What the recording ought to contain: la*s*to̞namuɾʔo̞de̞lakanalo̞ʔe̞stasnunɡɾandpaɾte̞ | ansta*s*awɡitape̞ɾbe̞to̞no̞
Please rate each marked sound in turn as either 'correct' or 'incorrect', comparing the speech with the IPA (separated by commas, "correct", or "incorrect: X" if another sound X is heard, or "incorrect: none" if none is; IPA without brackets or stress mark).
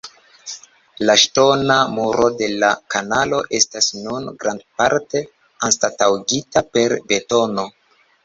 incorrect: ʃ, incorrect: t